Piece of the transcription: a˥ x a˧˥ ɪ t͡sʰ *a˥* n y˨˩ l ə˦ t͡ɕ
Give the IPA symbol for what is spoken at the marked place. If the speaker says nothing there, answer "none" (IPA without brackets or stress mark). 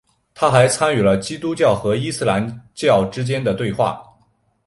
a˥